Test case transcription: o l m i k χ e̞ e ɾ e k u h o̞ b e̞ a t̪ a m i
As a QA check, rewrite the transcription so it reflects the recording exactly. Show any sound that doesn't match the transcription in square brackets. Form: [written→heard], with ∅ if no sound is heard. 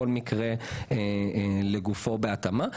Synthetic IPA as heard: o l m i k [χ→ʁ] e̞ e [ɾ→l] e [k→ɡ] u [h→f] o̞ b e̞ a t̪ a m [i→a]